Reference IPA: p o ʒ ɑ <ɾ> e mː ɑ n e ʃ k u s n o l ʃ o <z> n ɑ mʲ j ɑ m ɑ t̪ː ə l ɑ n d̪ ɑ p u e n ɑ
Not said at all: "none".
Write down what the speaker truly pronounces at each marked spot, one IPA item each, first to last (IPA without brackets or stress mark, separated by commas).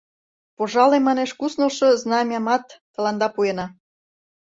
l, z